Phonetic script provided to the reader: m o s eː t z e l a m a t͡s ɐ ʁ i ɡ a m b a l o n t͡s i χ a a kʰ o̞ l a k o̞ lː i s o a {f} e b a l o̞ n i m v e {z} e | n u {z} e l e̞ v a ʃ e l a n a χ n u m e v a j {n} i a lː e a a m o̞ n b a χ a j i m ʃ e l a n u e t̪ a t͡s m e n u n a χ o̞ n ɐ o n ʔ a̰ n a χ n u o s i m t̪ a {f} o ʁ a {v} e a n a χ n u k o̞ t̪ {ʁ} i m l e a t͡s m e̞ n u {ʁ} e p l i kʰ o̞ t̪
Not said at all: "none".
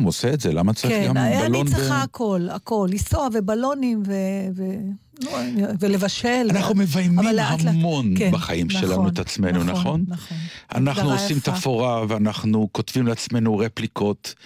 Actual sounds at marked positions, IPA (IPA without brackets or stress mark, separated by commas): v, v, v, m, f, v, v, ʁ